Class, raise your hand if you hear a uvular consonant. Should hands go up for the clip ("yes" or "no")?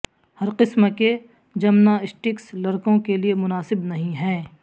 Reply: yes